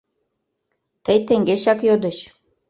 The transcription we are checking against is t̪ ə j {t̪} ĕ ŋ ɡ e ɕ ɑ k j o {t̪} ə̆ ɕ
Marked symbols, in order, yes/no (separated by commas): yes, no